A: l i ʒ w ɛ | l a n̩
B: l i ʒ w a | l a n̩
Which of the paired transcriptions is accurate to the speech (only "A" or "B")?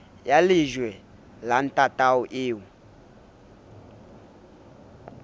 A